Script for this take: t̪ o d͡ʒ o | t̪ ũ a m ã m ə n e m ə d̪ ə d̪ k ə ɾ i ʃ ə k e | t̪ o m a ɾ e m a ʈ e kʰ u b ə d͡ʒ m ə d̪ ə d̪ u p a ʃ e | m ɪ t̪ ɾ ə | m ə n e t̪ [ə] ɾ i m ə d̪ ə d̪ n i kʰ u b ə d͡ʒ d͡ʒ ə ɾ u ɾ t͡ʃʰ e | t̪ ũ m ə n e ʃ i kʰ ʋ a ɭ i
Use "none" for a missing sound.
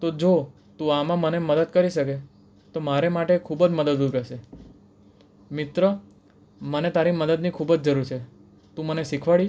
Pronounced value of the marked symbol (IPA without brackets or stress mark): a